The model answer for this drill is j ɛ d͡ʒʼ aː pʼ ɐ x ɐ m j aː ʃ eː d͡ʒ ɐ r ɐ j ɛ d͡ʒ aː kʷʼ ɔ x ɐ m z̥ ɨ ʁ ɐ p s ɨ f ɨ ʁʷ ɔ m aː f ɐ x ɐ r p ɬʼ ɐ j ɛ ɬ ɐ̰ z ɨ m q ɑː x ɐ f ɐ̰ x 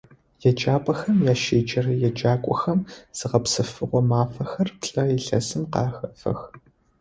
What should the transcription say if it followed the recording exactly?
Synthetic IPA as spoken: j ɛ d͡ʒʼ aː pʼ ɐ x ɐ m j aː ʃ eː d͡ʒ ɐ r ɐ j ɛ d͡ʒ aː kʷʼ ɔ x ɐ m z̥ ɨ ʁ ɐ p s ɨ f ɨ ʁʷ ɔ m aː f ɐ x ɐ r p ɬʼ ɐ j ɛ ɬ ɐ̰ s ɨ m q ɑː x ɐ f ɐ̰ x